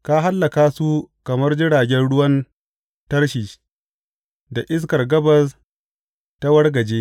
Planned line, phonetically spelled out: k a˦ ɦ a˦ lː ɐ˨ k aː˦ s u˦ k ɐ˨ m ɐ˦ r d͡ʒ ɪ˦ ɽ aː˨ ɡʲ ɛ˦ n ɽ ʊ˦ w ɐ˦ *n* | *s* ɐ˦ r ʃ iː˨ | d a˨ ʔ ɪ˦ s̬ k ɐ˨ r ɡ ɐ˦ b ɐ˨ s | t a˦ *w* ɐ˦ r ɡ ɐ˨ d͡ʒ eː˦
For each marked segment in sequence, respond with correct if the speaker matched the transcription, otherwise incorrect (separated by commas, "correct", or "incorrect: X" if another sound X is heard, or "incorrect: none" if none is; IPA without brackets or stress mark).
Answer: correct, incorrect: t, correct